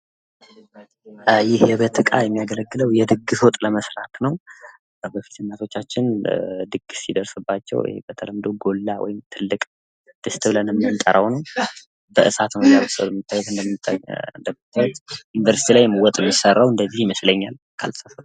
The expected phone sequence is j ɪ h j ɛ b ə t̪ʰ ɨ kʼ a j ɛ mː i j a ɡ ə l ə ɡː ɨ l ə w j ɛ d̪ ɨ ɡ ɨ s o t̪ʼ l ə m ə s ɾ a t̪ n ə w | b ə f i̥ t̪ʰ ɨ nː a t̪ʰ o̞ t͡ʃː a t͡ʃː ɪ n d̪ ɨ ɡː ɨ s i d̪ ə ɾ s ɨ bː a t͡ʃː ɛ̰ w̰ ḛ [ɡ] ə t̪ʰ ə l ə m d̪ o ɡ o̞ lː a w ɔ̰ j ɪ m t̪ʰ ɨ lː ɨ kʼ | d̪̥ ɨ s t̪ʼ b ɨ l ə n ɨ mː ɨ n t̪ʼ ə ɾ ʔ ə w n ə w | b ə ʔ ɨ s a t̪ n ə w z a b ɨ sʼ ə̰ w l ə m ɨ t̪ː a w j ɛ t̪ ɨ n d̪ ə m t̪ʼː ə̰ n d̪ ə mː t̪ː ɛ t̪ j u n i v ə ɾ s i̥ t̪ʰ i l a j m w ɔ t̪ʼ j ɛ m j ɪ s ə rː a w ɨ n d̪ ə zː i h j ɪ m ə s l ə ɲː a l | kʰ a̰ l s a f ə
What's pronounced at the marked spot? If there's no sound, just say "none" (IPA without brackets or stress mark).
b